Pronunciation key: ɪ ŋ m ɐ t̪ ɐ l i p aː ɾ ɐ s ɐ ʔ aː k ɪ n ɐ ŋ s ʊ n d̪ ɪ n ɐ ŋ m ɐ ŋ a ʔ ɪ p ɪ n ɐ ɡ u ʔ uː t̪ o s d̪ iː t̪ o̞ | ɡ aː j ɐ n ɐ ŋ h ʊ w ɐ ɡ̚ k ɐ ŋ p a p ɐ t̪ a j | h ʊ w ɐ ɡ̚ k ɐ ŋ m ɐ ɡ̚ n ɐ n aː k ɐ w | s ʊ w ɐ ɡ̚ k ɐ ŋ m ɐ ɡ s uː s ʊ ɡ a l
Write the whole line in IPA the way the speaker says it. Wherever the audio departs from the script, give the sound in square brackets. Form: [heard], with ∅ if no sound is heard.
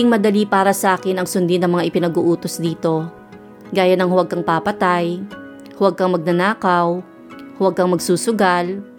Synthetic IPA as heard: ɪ ŋ m ɐ [d̪] ɐ l i p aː ɾ ɐ s ɐ ʔ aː k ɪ n ɐ ŋ s ʊ n d̪ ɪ n ɐ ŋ m ɐ ŋ a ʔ ɪ p ɪ n ɐ ɡ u ʔ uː t̪ o s d̪ iː t̪ o̞ | ɡ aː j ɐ n ɐ ŋ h ʊ w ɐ ɡ̚ k ɐ ŋ p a p ɐ t̪ a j | h ʊ w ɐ ɡ̚ k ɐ ŋ m ɐ ɡ̚ n ɐ n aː k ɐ w | [h] ʊ w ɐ ɡ̚ k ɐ ŋ m ɐ ɡ s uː s ʊ ɡ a l